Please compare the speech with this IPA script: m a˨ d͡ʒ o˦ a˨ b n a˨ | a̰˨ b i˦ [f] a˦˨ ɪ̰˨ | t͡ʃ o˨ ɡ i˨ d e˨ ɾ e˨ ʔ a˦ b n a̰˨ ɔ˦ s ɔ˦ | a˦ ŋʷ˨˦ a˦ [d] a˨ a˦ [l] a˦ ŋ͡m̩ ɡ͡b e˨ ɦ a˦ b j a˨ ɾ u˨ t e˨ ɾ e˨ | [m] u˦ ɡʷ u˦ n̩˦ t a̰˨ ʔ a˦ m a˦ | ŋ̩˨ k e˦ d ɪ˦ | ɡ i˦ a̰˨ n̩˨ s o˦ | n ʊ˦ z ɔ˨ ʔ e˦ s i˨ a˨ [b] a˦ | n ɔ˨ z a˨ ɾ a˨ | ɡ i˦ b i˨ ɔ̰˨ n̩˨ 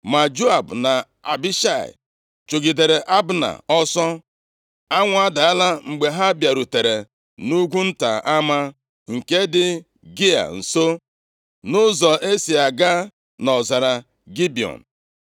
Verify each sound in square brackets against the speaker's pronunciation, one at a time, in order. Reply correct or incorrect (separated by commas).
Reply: incorrect, correct, correct, incorrect, incorrect